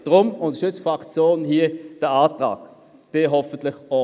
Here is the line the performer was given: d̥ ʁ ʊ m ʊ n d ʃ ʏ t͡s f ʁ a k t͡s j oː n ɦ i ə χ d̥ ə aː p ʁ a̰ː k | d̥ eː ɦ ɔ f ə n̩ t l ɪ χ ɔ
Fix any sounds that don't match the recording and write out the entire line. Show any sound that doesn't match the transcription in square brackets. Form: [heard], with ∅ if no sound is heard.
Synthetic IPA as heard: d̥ ʁ ʊ m ʊ n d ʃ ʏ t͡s f ʁ a k t͡s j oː n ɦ i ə [∅] d̥ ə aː [t] ʁ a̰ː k | d̥ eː ɦ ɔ f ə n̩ t l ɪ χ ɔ